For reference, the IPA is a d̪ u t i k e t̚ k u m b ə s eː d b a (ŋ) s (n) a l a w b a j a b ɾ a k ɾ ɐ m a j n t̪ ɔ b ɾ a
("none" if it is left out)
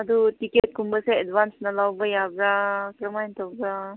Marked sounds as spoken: n, n

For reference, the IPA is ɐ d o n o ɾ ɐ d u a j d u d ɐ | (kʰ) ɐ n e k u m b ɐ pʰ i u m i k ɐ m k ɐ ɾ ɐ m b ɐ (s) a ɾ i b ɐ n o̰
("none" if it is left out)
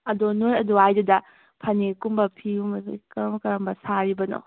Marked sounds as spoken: pʰ, s

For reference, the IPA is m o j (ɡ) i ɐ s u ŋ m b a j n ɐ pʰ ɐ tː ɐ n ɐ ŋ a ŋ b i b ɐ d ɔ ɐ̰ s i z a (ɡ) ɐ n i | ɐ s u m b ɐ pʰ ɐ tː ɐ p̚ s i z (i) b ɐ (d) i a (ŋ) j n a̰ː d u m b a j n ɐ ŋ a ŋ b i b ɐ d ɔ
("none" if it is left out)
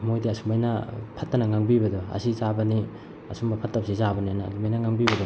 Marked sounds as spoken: d, b, a, n, none

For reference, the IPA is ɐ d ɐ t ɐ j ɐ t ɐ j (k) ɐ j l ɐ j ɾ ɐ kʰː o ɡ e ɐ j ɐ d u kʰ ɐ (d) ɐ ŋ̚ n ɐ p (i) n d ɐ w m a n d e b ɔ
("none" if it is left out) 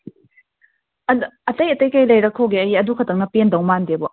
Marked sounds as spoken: k, t, e

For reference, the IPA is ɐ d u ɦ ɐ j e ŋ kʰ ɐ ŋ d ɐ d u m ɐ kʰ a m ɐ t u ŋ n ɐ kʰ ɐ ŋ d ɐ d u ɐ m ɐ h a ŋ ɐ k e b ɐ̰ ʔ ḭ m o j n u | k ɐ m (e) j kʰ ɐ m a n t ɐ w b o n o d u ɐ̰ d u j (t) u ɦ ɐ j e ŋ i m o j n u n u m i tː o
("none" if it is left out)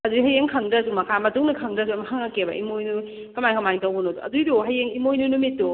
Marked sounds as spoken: a, d

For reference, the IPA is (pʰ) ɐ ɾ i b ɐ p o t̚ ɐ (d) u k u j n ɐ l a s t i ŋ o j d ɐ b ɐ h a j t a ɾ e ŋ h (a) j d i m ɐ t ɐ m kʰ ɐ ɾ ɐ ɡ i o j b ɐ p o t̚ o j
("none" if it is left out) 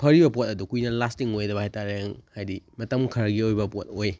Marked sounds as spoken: pʰ, d, a

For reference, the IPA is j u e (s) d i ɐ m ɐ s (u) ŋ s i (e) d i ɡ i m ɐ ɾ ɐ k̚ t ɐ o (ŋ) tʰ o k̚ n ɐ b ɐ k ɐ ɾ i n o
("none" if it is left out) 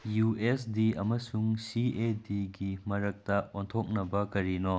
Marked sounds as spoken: s, u, e, n

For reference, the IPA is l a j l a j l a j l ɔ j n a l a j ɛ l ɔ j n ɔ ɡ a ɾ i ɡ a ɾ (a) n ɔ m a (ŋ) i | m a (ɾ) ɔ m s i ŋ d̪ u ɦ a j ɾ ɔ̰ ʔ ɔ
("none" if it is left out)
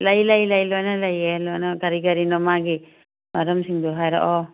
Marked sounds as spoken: i, ɡ, ɾ

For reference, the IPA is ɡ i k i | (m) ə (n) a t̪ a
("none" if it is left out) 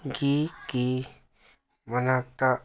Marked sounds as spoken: m, n

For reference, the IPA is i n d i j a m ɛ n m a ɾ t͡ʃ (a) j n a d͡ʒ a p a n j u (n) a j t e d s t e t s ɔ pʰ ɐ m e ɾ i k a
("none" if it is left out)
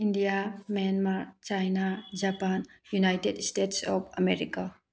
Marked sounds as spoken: a, n

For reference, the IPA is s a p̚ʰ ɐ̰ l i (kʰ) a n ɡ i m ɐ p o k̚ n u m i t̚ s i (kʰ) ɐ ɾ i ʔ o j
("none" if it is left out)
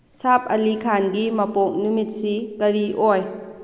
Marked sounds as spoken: kʰ, k

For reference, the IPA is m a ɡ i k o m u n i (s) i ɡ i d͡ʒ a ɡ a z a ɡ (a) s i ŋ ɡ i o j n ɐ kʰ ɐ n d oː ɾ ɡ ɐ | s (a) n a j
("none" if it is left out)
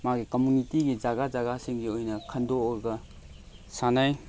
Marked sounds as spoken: t, a, a

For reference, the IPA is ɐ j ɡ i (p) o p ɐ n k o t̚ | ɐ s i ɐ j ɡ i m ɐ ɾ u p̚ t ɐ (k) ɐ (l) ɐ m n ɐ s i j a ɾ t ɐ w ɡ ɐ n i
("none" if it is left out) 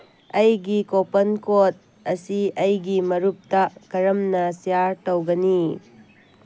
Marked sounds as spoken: k, k, ɾ

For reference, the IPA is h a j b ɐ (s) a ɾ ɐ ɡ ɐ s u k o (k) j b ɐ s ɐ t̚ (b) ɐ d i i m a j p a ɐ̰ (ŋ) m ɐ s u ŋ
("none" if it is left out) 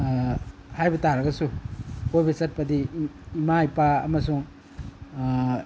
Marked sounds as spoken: t, none, p, none

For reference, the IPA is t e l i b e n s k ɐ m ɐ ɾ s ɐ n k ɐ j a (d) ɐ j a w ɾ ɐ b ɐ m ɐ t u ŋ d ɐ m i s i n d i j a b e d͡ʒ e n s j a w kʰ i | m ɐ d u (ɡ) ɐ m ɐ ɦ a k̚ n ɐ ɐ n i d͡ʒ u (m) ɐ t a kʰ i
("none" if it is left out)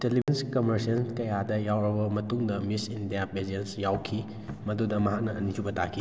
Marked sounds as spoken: d, d, b

